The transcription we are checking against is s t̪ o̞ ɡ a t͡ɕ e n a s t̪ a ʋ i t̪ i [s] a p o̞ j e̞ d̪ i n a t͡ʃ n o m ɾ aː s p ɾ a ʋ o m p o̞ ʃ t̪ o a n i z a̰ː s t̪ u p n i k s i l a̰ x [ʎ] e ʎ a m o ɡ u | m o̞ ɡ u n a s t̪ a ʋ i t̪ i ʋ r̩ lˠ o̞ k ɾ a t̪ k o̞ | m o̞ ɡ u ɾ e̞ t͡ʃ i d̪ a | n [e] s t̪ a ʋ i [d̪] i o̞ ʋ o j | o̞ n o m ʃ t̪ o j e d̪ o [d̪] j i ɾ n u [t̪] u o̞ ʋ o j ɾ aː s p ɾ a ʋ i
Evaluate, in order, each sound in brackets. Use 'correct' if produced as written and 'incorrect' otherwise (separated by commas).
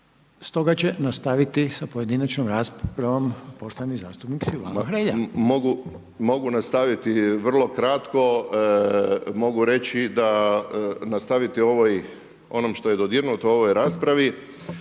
correct, incorrect, incorrect, incorrect, correct, correct